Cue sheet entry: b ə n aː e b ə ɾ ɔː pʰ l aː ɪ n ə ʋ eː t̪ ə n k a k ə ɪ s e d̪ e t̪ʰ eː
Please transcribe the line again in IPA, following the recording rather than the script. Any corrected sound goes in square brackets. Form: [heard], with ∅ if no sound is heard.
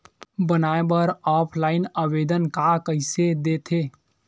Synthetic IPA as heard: b ə n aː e b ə ɾ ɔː pʰ l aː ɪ n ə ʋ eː [d̪] ə n k a k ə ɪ s e d̪ e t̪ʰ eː